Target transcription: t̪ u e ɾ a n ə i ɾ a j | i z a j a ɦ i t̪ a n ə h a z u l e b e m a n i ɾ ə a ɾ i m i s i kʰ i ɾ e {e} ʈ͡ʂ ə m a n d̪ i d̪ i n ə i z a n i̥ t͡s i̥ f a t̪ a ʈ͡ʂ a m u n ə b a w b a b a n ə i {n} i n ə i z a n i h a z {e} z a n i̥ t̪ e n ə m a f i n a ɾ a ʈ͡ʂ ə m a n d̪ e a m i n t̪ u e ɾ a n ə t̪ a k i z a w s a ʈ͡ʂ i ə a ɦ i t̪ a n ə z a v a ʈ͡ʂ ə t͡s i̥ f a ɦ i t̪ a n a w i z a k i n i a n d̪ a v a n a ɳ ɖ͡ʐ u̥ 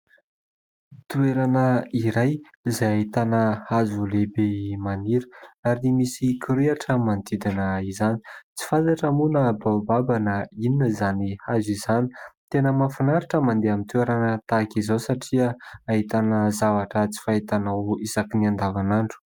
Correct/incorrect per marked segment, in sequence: incorrect: a, correct, incorrect: i

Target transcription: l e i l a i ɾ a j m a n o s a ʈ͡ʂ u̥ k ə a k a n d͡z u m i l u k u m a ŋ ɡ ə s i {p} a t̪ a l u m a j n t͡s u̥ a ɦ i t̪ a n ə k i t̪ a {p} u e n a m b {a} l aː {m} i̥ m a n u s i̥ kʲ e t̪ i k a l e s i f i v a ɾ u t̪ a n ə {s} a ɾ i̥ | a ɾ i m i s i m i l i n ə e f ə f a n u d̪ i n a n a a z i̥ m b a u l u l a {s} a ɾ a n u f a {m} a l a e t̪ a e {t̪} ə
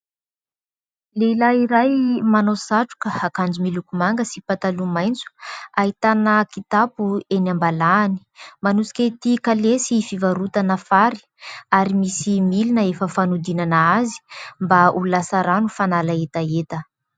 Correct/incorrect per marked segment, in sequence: correct, correct, correct, incorrect: n, incorrect: f, correct, incorrect: n, correct

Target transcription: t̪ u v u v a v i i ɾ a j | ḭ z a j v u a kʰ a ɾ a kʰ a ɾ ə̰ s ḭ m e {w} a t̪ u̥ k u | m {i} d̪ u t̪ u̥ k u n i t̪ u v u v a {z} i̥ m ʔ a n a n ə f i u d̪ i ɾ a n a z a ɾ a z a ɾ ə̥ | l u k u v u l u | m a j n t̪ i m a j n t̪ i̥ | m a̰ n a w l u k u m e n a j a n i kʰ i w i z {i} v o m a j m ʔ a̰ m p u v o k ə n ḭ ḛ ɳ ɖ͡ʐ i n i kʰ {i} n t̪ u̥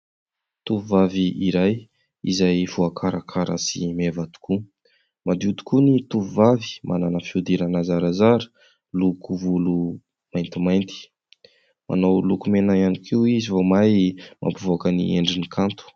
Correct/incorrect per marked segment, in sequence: incorrect: v, incorrect: a, incorrect: v, correct, incorrect: a

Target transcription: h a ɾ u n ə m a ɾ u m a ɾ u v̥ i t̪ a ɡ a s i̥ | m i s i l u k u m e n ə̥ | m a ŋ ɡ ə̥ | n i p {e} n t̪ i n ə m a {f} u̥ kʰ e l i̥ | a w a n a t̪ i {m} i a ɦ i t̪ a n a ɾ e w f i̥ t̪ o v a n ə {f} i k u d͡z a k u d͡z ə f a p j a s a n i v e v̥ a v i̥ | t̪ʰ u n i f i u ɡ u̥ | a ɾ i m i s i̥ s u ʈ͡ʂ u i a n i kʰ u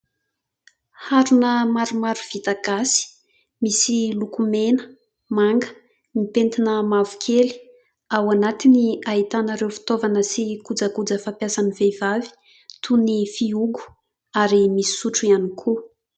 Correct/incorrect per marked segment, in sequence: correct, incorrect: v, incorrect: n, incorrect: s

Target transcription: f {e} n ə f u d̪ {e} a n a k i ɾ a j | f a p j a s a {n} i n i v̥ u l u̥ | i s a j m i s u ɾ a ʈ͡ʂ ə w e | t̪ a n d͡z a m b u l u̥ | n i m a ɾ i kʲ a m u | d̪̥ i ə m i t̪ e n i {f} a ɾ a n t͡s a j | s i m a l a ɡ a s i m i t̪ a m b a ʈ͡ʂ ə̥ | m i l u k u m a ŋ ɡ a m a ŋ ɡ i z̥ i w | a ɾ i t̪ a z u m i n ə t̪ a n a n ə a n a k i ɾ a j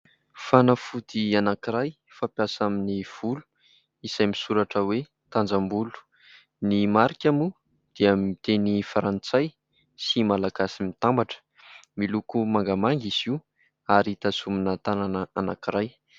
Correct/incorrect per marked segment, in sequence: incorrect: a, incorrect: i, incorrect: m, correct

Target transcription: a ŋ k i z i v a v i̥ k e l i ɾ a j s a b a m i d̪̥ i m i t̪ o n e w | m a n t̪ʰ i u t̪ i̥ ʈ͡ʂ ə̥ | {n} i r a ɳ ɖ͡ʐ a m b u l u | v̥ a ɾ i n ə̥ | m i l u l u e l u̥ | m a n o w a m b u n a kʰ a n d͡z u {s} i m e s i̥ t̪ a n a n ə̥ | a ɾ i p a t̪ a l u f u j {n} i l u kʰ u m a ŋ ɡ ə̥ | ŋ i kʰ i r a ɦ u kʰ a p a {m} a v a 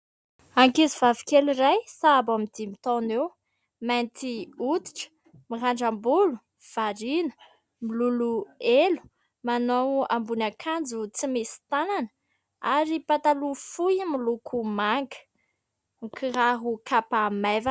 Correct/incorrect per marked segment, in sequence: incorrect: m, incorrect: t͡s, incorrect: m, correct

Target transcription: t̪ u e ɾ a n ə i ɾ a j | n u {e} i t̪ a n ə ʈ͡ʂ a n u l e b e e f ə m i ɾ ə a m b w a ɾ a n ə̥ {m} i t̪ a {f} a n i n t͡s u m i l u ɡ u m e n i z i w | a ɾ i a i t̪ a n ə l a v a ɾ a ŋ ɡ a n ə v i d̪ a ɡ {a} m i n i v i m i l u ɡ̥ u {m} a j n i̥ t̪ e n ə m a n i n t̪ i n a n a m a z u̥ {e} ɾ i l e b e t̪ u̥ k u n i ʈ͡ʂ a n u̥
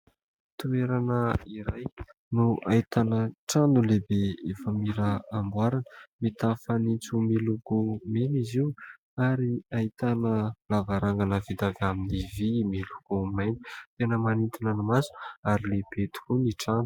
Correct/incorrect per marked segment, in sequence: incorrect: a, correct, correct, correct, correct, incorrect: a

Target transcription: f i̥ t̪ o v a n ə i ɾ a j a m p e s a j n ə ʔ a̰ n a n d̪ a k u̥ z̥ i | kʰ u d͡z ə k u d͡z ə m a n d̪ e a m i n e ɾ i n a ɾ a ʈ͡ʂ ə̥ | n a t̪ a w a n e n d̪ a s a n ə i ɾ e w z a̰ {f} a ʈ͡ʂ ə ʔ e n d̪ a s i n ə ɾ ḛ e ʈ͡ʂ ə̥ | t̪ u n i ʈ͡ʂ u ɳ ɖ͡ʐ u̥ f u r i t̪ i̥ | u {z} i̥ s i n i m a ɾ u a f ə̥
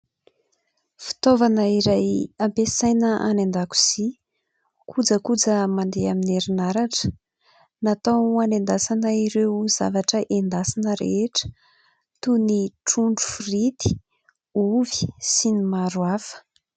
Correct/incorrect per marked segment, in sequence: incorrect: v, incorrect: v

